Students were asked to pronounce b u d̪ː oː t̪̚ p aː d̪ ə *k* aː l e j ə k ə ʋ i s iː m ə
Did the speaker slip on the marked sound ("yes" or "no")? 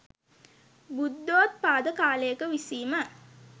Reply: no